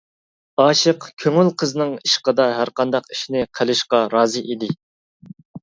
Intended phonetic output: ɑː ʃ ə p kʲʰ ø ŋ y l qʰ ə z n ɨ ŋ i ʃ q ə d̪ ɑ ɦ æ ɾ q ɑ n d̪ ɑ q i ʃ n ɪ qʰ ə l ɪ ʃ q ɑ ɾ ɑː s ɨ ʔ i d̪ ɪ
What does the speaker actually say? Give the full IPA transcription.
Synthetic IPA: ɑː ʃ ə q kʲʰ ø ŋ y l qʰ ə z n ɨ ŋ i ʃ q ə d̪ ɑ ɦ æ ɾ q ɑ n d̪ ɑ q i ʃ n ɪ qʰ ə l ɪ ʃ q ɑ ɾ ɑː z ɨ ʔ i d̪ ɪ